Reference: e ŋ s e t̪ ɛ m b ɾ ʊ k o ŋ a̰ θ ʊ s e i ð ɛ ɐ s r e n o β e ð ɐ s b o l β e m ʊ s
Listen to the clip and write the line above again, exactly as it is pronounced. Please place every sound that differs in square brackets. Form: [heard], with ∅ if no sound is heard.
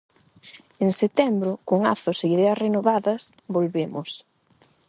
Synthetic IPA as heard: e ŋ s e t̪ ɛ m b ɾ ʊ k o ŋ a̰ θ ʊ s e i ð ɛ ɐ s r e n o β [a] ð ɐ s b o l β e m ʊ s